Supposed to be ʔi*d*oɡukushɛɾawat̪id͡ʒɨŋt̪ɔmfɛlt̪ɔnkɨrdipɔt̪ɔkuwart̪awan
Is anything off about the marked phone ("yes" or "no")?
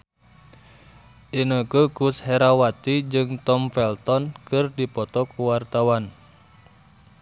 yes